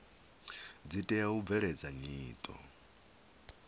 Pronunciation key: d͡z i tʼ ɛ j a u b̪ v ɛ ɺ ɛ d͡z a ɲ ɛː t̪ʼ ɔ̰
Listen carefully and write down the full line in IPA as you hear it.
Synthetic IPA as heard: d͡z i tʼ ɛ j a u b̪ v ɛ ɺ ɛ d͡z a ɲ iː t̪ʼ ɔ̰